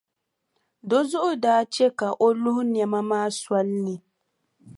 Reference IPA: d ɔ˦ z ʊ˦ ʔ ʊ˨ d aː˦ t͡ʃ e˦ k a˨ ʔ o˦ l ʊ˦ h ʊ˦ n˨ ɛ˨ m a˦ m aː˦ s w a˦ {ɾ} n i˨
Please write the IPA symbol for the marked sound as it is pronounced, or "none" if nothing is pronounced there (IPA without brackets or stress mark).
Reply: l